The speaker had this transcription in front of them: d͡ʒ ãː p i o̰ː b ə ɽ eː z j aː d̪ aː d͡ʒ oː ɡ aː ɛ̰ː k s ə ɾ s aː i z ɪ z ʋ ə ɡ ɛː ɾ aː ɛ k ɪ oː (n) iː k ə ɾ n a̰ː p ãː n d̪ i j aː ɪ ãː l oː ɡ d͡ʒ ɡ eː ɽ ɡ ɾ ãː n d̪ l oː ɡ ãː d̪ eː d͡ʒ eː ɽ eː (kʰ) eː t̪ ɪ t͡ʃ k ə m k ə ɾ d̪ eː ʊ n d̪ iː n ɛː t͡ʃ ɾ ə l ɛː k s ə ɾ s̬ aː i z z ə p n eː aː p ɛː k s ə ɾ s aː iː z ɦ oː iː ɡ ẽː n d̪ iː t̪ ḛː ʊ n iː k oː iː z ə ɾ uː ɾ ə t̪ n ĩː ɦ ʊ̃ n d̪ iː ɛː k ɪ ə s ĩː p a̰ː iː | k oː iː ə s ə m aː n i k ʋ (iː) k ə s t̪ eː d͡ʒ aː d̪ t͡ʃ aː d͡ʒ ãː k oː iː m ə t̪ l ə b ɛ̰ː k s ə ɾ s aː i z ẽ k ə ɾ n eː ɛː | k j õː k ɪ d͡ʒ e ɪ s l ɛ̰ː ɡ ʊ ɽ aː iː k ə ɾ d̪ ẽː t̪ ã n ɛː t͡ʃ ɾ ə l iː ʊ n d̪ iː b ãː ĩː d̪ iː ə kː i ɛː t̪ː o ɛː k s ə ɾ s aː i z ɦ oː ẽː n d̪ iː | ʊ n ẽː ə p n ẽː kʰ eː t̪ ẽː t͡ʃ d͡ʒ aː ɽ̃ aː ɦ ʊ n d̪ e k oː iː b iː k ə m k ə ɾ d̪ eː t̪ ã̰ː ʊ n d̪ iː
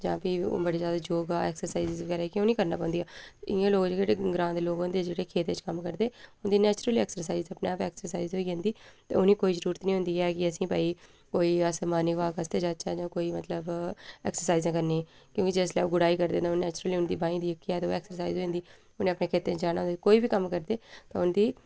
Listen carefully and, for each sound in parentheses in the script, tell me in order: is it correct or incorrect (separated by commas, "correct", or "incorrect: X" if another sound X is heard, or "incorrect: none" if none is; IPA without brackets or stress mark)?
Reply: correct, correct, incorrect: aː